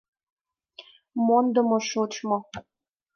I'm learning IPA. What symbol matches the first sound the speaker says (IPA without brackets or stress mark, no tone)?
m